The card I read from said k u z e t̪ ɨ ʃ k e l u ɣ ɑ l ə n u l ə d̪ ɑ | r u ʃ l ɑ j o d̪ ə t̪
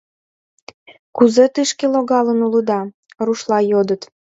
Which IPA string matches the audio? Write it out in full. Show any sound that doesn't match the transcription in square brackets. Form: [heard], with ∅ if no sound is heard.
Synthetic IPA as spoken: k u z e t̪ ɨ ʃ k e l [o] ɣ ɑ l ə n u l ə d̪ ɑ | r u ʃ l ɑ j o d̪ ə t̪